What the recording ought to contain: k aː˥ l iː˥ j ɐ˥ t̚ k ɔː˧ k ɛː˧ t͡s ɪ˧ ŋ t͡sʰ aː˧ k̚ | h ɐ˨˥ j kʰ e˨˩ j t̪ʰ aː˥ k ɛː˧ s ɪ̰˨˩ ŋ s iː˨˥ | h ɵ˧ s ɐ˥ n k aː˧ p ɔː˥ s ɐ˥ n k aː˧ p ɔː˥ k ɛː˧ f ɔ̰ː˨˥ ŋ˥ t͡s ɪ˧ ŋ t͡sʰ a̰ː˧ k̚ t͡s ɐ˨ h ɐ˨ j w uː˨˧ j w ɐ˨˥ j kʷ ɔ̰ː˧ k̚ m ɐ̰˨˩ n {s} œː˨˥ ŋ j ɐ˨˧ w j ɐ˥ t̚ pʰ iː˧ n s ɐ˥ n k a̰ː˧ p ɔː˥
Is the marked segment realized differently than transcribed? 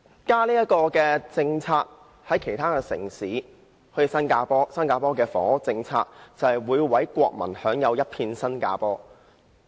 yes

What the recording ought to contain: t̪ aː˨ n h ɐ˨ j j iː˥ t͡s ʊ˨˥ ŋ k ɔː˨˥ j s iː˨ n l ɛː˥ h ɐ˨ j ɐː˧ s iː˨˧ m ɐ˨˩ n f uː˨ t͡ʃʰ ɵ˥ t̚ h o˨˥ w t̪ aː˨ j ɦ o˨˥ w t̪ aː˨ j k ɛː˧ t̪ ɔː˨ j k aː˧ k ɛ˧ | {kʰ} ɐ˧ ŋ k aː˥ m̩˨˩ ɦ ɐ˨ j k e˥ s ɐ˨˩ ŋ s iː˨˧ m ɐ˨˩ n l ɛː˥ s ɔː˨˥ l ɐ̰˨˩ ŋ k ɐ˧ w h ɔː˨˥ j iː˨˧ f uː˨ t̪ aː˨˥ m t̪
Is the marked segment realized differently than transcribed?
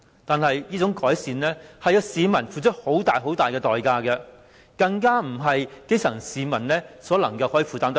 yes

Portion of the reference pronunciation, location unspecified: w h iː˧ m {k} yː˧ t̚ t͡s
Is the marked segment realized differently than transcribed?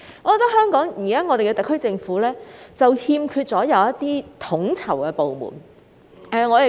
yes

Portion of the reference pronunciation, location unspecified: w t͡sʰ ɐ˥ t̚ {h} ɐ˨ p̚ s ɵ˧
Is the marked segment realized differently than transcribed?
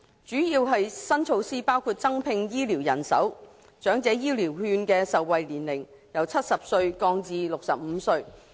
yes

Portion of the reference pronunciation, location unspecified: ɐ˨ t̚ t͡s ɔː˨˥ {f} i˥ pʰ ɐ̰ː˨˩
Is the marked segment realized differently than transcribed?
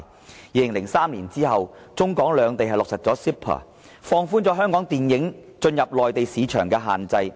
yes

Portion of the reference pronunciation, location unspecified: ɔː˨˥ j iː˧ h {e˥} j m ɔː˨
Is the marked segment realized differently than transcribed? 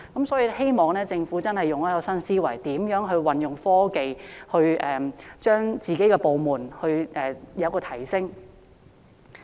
no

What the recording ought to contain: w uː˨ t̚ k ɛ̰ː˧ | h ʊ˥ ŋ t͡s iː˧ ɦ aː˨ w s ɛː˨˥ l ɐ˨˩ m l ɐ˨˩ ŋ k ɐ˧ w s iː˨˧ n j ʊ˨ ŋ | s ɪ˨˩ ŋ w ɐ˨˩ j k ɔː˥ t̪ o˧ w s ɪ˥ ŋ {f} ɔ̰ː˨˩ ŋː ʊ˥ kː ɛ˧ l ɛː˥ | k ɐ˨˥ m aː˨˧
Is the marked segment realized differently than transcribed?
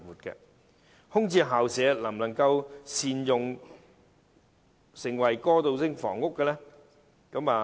no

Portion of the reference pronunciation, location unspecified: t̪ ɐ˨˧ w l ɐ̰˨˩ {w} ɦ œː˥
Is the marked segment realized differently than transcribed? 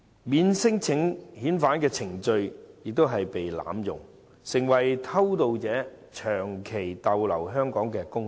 no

